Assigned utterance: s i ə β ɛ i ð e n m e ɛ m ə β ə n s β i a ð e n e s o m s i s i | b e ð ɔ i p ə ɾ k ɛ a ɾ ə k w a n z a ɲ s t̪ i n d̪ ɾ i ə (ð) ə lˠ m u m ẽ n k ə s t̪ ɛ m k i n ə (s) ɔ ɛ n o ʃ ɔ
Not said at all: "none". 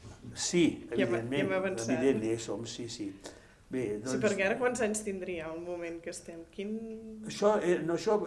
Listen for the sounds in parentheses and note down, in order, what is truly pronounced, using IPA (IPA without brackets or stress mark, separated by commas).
none, ʃ